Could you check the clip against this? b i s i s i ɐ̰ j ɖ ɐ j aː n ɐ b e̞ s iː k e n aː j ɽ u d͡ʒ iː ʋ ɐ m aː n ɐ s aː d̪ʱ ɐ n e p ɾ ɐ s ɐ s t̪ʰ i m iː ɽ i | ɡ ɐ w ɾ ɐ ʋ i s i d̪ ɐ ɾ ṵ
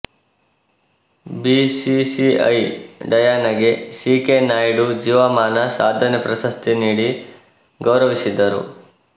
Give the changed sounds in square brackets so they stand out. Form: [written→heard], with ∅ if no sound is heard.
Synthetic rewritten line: b i s i s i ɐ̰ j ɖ ɐ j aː n ɐ [b→ɡ] e̞ s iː k e n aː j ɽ u d͡ʒ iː ʋ ɐ m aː n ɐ s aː d̪ʱ ɐ n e p ɾ ɐ s ɐ s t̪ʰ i [m→n] iː ɽ i | ɡ ɐ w ɾ ɐ ʋ i s i d̪ ɐ ɾ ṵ